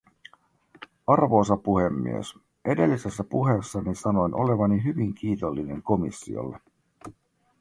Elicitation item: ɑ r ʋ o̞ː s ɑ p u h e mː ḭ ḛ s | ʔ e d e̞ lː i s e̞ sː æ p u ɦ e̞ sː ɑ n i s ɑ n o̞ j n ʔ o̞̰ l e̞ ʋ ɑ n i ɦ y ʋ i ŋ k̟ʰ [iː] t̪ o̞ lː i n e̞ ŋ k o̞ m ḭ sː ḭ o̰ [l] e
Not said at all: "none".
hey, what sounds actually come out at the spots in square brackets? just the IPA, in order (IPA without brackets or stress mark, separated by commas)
iː, lː